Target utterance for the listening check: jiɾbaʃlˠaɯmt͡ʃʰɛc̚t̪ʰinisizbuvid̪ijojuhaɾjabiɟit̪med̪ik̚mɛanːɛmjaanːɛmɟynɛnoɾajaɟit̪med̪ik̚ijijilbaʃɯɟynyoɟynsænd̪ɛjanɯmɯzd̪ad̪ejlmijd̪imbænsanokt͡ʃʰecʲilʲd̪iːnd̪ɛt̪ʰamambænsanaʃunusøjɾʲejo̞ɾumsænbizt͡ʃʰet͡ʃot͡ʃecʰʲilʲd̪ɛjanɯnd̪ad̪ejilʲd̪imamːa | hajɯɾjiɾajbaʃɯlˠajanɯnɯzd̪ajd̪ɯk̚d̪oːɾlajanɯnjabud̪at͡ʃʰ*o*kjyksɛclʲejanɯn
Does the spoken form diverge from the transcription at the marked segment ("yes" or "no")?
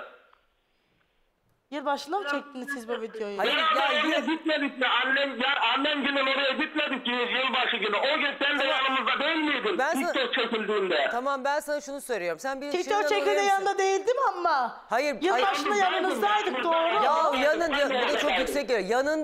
no